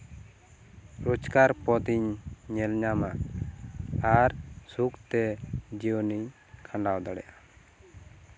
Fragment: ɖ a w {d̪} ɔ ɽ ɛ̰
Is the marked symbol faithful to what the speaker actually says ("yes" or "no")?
yes